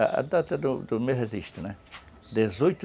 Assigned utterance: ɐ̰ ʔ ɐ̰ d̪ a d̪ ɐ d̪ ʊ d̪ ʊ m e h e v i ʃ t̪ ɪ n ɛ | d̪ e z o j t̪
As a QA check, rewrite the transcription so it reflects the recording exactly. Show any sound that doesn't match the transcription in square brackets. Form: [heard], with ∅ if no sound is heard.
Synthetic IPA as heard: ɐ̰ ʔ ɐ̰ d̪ a [t̪] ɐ d̪ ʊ d̪ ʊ m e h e [z] i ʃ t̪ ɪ n ɛ | d̪ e z o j t̪